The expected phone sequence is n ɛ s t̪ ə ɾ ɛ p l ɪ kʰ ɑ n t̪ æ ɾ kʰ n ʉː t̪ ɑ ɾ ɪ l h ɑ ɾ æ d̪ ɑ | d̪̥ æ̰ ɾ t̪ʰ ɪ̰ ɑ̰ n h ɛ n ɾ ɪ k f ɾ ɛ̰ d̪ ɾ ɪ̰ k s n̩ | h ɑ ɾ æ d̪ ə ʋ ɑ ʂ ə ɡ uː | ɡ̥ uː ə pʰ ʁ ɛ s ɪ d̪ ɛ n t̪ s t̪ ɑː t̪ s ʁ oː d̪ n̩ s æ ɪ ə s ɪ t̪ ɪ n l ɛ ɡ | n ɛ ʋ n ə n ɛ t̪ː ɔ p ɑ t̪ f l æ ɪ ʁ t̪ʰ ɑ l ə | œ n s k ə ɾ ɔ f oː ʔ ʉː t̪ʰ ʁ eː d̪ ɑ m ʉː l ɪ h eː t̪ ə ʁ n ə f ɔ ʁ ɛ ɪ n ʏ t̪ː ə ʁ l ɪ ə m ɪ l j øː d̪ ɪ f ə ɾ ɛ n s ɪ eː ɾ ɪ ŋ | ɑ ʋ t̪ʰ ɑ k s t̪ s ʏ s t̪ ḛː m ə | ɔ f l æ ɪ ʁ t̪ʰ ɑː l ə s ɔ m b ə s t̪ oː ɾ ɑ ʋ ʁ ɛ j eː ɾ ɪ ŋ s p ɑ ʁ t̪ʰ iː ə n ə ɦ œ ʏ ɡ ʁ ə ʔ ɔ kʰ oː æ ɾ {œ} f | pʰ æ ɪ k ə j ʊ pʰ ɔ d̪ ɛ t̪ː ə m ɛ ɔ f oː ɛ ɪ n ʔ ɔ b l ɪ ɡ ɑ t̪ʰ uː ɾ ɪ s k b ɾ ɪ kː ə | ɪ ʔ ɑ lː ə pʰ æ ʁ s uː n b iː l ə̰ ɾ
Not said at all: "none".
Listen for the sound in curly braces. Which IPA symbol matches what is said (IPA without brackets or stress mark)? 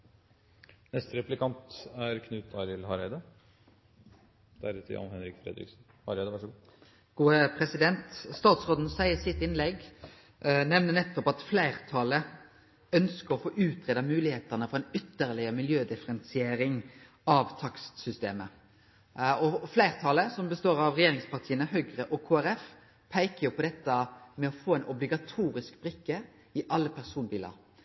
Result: ɛ